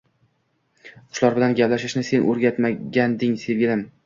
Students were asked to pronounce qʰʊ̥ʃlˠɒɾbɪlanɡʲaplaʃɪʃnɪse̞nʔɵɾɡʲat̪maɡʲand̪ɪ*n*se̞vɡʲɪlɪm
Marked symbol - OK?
no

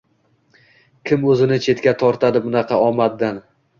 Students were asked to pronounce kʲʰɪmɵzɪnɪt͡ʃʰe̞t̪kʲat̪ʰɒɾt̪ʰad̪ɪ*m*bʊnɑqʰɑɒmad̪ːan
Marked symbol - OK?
no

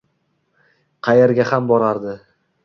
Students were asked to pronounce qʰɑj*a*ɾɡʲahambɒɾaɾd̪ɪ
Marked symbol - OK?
no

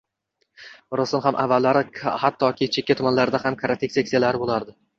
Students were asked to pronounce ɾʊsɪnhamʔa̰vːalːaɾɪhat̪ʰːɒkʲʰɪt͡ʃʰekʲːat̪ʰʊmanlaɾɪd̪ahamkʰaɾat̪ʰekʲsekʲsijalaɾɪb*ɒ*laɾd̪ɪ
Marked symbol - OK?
no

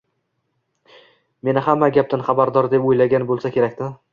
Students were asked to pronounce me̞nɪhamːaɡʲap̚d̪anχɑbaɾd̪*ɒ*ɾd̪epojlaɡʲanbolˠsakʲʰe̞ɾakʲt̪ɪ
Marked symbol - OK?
yes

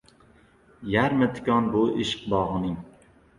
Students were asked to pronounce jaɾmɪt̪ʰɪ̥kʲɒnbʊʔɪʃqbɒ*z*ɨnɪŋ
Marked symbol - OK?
no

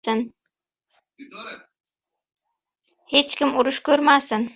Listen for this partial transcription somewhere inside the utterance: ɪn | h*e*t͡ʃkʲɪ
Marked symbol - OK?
yes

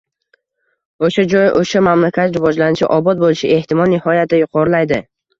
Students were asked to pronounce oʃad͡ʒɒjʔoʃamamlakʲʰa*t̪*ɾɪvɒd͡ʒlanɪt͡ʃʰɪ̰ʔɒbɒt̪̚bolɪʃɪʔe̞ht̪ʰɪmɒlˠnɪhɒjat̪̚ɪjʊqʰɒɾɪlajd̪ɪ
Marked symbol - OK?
yes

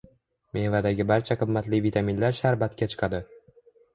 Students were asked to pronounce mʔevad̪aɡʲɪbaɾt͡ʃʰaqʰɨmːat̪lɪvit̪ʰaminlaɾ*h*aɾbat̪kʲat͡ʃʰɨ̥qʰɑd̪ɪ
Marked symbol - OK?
no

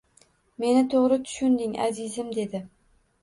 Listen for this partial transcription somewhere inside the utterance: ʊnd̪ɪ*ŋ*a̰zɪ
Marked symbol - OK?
yes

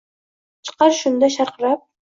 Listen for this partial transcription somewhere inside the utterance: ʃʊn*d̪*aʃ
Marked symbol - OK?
yes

